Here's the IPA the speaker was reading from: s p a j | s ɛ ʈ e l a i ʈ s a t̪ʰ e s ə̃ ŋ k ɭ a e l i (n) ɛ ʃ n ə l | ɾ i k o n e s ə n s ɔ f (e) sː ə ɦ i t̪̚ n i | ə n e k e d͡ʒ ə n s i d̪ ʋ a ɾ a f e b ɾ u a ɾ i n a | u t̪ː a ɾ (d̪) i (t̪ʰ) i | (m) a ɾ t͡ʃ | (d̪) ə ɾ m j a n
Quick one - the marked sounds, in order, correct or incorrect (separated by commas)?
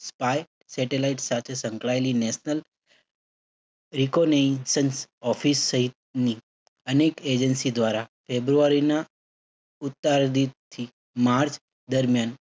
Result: correct, incorrect, correct, correct, correct, correct